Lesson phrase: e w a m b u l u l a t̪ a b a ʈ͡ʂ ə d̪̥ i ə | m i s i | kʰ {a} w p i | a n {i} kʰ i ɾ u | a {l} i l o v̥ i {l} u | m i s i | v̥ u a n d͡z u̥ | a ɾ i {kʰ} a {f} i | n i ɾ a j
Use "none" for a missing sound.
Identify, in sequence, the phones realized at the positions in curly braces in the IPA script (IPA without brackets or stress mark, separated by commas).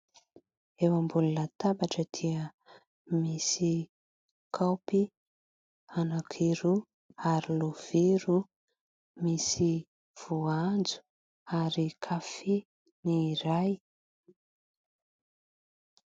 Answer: a, a, ɾ, ɾ, kʰ, f